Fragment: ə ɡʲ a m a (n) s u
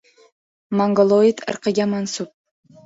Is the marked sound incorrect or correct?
correct